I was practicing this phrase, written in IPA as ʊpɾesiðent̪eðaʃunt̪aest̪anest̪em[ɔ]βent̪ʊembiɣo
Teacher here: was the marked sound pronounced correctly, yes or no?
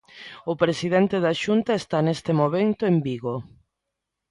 no